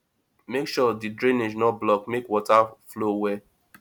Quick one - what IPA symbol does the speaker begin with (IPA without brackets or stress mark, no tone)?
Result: m